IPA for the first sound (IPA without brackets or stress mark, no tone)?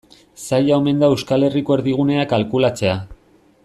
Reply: s